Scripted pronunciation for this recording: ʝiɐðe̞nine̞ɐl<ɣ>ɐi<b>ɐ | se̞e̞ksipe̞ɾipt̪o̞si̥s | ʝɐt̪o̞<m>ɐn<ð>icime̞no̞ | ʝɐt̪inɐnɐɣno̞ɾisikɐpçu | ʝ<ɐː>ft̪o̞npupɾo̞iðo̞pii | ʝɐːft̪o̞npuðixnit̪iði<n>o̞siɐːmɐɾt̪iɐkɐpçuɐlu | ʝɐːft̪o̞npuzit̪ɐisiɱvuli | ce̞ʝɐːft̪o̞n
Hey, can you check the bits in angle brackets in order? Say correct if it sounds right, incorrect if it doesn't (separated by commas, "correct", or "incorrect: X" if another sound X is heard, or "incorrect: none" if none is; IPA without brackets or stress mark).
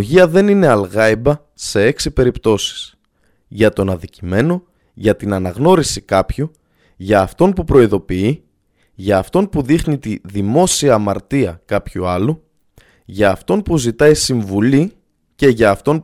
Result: correct, correct, incorrect: n, correct, correct, incorrect: m